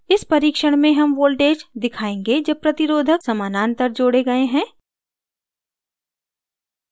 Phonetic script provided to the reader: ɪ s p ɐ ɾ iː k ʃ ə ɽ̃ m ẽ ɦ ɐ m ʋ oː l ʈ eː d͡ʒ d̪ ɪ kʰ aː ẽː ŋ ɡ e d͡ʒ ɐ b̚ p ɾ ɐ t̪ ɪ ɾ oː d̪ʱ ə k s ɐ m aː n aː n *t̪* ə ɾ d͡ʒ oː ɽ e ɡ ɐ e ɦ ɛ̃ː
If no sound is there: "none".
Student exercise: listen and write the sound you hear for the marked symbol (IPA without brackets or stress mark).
t̪